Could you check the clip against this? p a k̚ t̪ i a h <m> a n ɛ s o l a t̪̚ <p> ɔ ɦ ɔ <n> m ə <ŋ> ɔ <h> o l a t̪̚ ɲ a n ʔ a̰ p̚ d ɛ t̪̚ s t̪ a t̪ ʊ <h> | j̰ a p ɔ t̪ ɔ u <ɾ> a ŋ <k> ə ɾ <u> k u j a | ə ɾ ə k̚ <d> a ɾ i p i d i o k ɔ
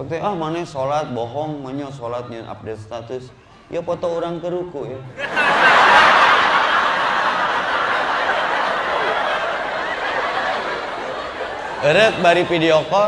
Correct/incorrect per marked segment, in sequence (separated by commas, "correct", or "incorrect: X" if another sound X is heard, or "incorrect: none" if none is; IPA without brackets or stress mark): correct, incorrect: b, incorrect: ŋ, incorrect: ɲ, incorrect: s, incorrect: s, correct, correct, correct, incorrect: b